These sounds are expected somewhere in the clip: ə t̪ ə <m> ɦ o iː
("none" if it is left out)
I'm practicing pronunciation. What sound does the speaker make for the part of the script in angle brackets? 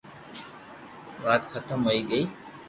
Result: m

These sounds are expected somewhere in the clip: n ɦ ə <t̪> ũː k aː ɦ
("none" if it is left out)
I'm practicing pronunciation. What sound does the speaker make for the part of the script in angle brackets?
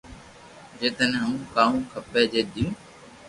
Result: none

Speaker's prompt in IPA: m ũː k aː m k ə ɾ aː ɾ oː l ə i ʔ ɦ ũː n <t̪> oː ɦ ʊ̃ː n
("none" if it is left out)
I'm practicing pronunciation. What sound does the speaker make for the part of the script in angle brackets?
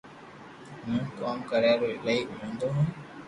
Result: d̪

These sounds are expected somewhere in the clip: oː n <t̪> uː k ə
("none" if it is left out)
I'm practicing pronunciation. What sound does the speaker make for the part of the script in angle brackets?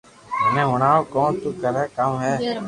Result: t̪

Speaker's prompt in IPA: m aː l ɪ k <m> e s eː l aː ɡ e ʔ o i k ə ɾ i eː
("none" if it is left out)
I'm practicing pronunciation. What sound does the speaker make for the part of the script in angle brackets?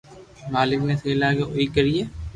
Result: n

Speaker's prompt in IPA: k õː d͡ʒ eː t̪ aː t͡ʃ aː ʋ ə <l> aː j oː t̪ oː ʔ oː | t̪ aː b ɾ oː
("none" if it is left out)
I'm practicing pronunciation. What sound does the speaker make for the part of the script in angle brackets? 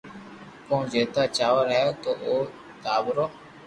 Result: ɾ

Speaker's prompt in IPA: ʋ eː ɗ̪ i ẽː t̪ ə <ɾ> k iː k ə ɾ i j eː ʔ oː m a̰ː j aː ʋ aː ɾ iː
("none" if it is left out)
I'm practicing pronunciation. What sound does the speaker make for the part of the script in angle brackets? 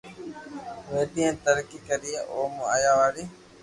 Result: ɾ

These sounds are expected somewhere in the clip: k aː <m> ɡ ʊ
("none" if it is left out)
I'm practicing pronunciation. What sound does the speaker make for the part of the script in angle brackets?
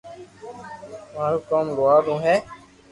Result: m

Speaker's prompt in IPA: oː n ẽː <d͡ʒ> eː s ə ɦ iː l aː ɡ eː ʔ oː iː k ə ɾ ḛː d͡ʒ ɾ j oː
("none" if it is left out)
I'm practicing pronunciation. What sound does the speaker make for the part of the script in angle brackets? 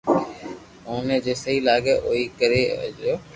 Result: d͡ʒ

